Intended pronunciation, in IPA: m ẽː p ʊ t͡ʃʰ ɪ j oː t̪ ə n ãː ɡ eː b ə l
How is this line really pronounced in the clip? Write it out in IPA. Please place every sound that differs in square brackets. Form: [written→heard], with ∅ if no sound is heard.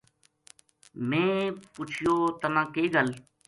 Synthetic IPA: m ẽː p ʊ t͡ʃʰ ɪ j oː t̪ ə [n→m] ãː [ɡ→k] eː [b→ɡ] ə l